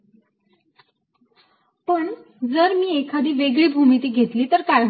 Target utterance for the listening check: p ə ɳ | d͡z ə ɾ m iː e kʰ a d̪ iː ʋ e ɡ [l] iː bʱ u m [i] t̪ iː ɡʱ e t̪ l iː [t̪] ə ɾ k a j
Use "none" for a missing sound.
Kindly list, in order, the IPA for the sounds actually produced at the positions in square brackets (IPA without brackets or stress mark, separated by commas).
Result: ɭ, i, t̪